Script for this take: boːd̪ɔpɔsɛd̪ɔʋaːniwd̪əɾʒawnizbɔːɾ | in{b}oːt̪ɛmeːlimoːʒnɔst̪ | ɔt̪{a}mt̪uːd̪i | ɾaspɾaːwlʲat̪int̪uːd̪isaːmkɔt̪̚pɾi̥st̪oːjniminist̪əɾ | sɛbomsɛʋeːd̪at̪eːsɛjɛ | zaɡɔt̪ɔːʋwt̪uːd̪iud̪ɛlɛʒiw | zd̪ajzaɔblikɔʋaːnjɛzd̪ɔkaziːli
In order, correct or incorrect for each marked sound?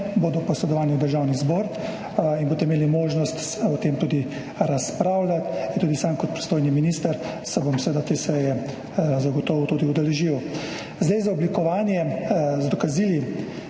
correct, incorrect

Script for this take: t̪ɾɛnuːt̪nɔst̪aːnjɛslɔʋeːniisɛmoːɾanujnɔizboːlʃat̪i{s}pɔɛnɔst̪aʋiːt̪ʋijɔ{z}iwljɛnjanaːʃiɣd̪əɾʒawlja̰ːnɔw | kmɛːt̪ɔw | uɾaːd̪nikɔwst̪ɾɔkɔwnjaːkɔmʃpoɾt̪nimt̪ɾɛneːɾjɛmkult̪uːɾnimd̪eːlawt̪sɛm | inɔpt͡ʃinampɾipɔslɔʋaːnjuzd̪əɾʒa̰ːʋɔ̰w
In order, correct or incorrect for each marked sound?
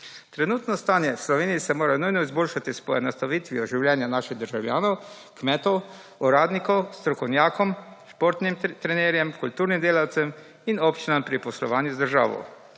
correct, incorrect

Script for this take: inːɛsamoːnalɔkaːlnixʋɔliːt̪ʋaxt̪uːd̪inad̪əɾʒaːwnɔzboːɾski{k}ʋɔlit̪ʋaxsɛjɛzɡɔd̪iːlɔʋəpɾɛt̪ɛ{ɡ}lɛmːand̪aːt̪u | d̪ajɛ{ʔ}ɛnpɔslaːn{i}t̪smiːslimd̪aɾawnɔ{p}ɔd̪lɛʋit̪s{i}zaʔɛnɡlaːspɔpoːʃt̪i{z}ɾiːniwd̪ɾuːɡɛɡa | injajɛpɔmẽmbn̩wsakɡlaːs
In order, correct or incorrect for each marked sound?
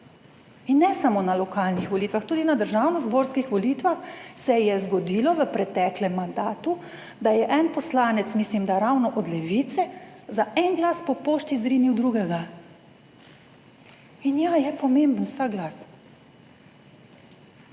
incorrect, incorrect, correct, incorrect, incorrect, incorrect, correct

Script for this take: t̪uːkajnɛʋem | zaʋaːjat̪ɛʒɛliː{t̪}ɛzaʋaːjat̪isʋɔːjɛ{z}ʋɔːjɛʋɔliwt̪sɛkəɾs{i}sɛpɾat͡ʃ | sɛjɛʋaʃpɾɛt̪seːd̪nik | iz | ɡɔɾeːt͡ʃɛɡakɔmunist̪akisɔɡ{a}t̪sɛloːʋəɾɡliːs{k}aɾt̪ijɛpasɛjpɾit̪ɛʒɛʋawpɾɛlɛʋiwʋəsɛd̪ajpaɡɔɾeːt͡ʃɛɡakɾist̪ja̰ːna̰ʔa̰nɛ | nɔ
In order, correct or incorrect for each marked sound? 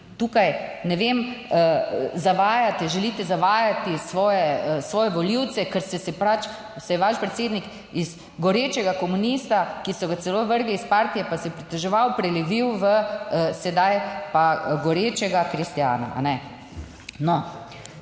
correct, incorrect, incorrect, correct, incorrect

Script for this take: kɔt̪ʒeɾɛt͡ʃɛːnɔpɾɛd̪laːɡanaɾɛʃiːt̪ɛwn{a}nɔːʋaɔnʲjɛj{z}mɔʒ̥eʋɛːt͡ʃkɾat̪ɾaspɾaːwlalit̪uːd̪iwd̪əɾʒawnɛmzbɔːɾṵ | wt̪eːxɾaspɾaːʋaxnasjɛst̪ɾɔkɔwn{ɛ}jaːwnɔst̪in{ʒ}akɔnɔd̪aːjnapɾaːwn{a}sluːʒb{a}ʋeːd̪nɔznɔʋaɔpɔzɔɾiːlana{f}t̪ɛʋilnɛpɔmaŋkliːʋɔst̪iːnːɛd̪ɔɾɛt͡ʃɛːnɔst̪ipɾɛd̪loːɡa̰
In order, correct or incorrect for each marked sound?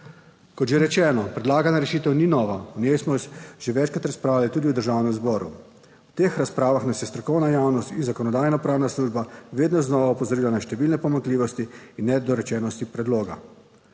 incorrect, incorrect, incorrect, incorrect, correct, correct, incorrect

